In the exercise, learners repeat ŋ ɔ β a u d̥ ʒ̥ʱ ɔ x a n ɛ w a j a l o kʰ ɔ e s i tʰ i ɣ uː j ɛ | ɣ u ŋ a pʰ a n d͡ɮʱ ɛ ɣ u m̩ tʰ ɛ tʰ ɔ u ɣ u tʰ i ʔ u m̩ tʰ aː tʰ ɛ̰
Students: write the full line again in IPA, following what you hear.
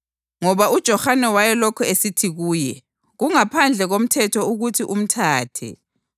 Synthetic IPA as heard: ŋ ɔ β a u d̥ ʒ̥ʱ ɔ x a n ɛ w a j ɛ l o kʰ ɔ e s i tʰ i ɣ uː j ɛ | ɣ u ŋ a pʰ a n d͡ɮʱ ɛ ɣ o m̩ tʰ ɛ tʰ ɔ u ɣ u tʰ i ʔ u m̩ tʰ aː tʰ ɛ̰